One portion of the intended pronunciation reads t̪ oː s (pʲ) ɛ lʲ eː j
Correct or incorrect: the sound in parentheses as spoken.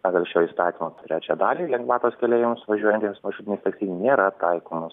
incorrect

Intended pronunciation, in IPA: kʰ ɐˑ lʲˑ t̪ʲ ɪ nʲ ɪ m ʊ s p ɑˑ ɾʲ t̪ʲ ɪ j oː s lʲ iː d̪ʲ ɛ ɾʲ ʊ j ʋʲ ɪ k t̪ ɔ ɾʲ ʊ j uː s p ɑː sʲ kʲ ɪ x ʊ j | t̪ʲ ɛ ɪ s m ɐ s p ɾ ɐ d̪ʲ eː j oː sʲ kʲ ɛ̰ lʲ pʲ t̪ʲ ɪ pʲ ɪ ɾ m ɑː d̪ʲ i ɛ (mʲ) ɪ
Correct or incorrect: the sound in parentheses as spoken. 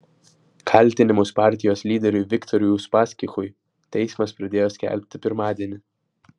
incorrect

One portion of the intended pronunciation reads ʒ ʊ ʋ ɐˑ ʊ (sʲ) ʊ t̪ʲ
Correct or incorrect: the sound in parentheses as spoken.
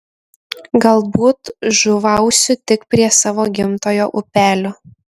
correct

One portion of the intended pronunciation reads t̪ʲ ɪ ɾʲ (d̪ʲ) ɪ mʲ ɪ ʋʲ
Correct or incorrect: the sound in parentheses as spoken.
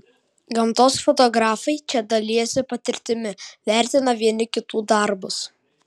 incorrect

